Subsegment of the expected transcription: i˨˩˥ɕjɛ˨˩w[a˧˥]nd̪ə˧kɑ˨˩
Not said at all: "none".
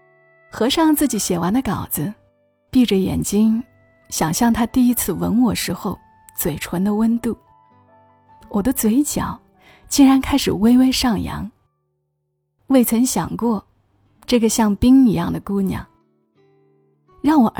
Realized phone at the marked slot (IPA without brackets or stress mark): a˧˥